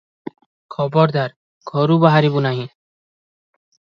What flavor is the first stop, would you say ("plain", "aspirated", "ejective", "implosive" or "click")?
aspirated